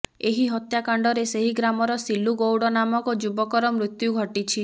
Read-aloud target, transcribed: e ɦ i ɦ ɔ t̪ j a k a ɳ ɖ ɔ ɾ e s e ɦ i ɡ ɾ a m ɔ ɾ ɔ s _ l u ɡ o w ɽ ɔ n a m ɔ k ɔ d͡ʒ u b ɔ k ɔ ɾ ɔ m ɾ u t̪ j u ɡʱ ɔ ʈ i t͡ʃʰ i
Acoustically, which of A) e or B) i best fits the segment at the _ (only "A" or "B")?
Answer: B